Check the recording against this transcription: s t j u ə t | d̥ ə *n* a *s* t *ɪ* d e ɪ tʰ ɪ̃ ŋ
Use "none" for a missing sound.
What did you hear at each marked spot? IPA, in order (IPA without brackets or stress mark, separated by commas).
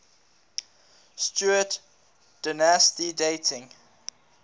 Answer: n, s, i